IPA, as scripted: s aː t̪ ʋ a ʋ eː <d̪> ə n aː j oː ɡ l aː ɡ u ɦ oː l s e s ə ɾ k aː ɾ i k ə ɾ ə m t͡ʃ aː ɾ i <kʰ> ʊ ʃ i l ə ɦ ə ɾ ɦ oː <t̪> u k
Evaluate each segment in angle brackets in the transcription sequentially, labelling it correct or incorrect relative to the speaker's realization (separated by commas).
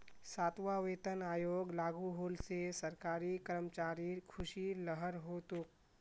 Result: incorrect, correct, correct